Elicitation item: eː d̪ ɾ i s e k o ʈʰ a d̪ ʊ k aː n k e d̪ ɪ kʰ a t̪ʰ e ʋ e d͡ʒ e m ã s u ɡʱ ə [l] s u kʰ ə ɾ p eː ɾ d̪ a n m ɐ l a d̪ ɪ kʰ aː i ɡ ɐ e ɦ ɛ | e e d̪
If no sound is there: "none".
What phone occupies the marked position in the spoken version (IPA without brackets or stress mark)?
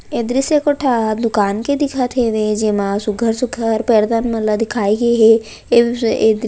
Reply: ɾ